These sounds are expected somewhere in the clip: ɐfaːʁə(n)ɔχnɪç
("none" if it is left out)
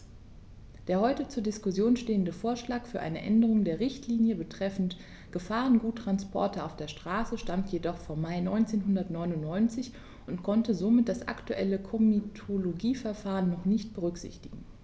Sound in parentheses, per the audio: nː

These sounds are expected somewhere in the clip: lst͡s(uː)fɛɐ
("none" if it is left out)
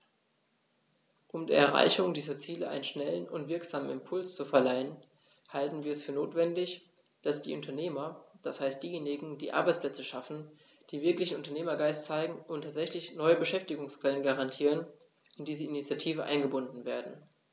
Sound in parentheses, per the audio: u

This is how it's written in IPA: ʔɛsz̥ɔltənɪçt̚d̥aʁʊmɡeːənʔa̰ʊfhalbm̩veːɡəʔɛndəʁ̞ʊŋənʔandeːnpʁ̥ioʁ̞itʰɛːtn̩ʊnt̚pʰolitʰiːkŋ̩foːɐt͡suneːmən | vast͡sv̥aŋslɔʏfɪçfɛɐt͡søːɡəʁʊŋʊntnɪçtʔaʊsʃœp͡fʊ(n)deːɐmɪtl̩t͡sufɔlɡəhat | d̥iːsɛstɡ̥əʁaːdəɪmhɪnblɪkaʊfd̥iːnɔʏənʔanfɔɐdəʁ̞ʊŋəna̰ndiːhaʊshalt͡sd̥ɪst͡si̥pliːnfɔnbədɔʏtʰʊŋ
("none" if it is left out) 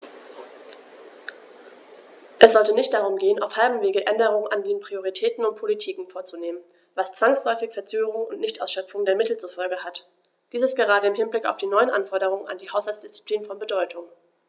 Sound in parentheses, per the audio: ŋ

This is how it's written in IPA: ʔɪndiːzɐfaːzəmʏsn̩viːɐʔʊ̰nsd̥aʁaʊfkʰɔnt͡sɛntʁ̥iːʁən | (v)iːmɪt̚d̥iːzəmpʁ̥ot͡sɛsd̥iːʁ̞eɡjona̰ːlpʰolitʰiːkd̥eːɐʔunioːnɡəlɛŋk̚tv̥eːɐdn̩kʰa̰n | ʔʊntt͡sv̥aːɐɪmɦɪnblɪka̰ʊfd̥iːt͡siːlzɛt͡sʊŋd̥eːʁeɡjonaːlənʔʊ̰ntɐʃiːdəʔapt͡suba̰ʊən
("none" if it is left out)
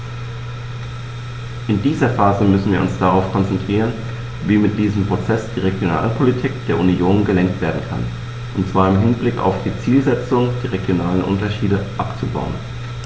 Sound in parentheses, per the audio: v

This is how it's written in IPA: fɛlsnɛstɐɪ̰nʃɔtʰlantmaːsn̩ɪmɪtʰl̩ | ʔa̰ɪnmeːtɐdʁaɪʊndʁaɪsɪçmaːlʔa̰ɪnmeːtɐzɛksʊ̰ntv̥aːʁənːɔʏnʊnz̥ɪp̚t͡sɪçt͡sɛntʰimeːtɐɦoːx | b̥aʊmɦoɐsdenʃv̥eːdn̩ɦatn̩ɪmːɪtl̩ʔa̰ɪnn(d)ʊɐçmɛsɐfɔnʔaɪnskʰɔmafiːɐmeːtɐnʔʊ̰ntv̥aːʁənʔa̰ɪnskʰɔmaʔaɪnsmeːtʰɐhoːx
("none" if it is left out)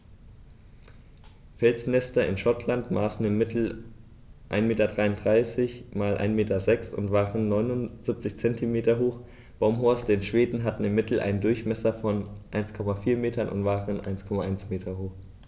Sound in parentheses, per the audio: d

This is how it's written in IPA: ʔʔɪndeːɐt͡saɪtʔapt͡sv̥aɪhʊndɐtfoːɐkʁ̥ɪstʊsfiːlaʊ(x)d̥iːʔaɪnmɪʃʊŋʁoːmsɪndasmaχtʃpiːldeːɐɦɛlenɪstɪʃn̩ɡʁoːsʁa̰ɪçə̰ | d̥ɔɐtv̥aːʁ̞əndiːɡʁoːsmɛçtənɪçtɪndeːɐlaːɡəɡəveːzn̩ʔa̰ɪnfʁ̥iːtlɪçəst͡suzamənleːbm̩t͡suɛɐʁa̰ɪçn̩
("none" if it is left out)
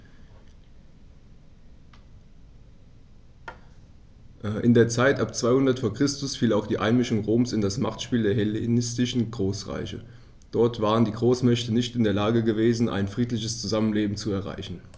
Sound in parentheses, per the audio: x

